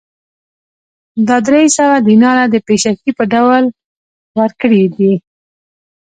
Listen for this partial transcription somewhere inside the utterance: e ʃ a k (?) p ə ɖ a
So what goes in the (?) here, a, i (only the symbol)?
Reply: i